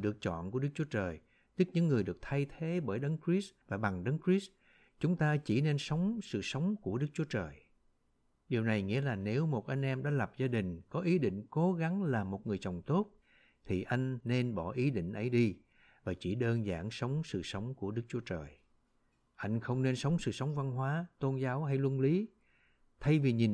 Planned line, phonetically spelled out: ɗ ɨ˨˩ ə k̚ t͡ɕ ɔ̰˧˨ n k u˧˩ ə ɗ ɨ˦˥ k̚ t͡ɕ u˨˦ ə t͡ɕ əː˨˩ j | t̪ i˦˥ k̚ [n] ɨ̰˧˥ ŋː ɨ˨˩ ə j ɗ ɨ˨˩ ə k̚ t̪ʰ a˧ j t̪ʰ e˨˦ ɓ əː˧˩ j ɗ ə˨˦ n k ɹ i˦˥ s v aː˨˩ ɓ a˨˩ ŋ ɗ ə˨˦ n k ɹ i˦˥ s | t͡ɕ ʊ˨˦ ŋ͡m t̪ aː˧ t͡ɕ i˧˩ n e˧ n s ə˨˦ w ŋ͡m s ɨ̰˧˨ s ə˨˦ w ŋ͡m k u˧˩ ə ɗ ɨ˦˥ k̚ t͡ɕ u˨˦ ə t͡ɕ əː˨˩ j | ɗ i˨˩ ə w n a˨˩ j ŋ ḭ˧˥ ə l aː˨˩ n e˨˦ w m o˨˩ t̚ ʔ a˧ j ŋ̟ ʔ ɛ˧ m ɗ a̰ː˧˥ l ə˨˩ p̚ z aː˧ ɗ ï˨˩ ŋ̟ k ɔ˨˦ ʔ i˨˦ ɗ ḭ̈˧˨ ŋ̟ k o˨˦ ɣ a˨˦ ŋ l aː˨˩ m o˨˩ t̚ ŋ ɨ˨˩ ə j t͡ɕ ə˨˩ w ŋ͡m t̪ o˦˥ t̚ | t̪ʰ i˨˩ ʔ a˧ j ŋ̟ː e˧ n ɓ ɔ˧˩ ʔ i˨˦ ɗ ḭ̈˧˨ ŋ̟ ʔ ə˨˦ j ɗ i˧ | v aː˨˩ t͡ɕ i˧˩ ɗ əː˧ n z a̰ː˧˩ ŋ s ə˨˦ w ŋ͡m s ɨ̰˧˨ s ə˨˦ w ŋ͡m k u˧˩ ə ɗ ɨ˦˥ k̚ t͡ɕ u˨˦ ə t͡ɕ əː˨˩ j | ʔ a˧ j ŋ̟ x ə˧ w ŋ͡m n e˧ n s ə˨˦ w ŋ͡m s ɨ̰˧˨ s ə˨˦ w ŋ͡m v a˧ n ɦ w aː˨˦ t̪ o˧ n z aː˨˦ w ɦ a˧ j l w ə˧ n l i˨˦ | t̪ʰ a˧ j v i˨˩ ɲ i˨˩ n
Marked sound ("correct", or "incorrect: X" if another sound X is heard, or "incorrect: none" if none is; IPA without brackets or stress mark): incorrect: ɲ